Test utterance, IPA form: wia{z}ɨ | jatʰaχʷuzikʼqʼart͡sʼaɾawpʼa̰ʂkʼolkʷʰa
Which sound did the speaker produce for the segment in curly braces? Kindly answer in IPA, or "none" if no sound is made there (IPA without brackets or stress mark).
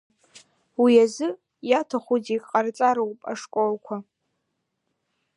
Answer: z